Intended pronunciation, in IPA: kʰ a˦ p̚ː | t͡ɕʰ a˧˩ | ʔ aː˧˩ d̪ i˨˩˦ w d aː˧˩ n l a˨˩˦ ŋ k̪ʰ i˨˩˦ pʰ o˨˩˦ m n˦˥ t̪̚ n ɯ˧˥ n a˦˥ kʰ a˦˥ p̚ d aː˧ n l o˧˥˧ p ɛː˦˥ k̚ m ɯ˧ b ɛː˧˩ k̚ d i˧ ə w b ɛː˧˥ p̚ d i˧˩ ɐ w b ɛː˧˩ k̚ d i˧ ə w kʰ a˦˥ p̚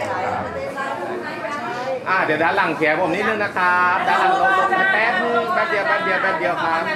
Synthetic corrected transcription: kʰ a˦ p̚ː | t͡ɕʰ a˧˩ | ʔ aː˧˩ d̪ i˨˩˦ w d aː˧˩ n l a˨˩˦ ŋ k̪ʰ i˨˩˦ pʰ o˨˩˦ m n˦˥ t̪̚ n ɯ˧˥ n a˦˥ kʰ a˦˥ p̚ d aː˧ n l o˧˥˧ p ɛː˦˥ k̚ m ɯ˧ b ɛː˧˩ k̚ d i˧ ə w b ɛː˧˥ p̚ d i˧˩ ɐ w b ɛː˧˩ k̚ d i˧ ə w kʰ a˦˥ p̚

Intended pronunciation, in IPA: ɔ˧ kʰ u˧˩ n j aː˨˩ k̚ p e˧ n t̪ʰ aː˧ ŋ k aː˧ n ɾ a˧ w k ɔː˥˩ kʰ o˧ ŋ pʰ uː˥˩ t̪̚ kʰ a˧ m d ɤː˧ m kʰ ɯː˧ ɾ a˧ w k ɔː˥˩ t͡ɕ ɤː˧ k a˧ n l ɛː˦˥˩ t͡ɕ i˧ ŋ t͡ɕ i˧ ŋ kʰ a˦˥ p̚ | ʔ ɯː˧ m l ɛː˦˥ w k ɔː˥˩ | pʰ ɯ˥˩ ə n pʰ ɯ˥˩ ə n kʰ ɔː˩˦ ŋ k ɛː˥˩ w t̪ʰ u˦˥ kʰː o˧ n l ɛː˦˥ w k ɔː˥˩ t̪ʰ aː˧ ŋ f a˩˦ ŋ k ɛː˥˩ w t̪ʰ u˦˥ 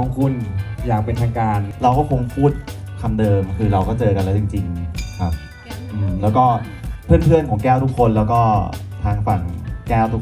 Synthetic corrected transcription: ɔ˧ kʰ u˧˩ n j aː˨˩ k̚ p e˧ n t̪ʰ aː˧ ŋ k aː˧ n ɾ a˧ w k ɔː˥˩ kʰ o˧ ŋ pʰ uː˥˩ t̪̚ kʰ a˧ m d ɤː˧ m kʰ ɯː˧ ɾ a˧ w k ɔː˥˩ t͡ɕ ɤː˧ k a˧ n l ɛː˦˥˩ t͡ɕ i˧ ŋ t͡ɕ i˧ ŋ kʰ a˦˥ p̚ | ʔ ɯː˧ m l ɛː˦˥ w k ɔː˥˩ | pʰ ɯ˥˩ ə n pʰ ɯ˥˩ ə n kʰ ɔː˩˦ ŋ k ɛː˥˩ w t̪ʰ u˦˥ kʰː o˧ n l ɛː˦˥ w k ɔː˥˩ t̪ʰ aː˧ ŋ f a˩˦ ŋ k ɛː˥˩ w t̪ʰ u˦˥

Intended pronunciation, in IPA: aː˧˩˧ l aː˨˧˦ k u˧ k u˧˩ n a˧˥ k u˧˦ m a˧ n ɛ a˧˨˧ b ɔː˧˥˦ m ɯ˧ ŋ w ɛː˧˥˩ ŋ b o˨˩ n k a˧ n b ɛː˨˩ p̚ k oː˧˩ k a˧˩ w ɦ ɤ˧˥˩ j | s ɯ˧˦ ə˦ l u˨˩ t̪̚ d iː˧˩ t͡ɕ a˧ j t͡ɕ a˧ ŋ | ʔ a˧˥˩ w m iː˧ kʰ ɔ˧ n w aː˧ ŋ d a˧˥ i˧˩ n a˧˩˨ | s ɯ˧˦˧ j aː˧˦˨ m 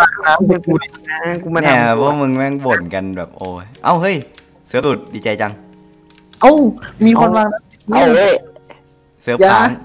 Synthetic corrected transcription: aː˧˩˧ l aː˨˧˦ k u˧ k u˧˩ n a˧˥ k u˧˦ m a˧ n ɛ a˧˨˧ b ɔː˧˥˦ m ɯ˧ ŋ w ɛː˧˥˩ ŋ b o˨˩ n k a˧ n b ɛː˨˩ p̚ ʔ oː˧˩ ʔ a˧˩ w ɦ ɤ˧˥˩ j | s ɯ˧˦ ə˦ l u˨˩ t̪̚ d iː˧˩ t͡ɕ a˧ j t͡ɕ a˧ ŋ | ʔ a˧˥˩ w m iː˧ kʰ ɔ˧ n w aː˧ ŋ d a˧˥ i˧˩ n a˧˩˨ | s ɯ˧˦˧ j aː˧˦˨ ŋ

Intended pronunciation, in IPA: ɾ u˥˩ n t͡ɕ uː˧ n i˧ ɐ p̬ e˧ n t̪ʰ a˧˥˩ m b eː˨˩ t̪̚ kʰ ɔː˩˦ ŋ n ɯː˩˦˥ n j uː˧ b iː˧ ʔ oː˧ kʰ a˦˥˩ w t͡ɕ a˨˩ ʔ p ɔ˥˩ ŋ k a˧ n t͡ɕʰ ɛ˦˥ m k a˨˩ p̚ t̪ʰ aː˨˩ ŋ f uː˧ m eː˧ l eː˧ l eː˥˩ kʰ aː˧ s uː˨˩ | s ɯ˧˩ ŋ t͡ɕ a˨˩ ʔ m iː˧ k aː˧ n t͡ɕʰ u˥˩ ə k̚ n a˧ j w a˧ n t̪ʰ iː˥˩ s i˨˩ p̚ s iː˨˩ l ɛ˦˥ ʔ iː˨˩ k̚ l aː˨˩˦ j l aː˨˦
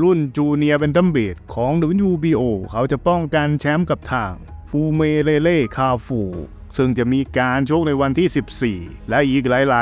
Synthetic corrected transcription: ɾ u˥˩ n t͡ɕ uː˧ n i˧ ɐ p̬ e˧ n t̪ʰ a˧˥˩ m b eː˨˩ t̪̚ kʰ ɔː˩˦ ŋ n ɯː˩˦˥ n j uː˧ b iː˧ ʔ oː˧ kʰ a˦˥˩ w t͡ɕ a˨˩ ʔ p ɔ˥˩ ŋ k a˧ n t͡ɕʰ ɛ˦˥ m k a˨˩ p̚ t̪ʰ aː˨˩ ŋ f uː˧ m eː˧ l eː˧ l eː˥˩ kʰ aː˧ f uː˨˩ | s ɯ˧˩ ŋ t͡ɕ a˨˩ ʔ m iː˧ k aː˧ n t͡ɕʰ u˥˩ ə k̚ n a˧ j w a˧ n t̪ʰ iː˥˩ s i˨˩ p̚ s iː˨˩ l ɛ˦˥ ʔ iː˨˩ k̚ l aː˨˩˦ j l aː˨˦

